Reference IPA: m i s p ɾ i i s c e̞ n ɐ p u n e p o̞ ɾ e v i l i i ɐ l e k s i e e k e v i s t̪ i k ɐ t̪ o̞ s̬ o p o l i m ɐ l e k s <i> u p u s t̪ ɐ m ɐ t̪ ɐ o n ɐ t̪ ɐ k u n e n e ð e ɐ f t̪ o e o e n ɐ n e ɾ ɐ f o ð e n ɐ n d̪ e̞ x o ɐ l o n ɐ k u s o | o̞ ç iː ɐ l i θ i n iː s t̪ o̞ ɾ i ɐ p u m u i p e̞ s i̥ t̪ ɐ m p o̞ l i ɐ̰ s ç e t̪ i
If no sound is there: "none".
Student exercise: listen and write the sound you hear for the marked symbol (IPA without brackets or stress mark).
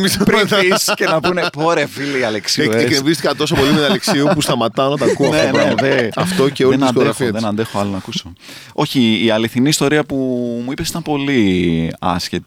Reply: i